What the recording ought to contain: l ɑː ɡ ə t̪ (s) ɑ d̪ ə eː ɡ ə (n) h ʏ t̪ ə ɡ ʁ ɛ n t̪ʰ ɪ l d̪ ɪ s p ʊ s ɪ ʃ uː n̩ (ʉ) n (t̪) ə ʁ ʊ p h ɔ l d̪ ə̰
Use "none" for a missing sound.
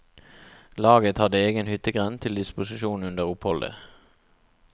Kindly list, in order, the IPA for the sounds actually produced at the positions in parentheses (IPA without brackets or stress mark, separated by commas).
h, n, ʉ, d̪